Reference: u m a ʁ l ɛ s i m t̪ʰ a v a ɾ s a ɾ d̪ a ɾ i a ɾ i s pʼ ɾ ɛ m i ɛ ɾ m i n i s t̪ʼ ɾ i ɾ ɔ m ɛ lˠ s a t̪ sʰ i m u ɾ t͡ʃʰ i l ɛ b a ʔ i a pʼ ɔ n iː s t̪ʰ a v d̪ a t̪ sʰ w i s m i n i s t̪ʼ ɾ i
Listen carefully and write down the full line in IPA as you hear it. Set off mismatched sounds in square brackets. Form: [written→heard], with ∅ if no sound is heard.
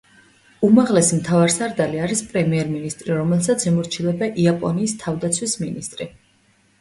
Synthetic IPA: u m a ʁ l ɛ s i m t̪ʰ a v a ɾ s a ɾ d̪ a [ɾ→l] i a ɾ i s pʼ ɾ ɛ m i ɛ ɾ m i n i s t̪ʼ ɾ i ɾ ɔ m ɛ lˠ s a t̪ sʰ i m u ɾ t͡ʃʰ i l ɛ b a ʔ i a pʼ ɔ n iː s t̪ʰ a v d̪ a t̪ sʰ w i s m i n i s t̪ʼ ɾ i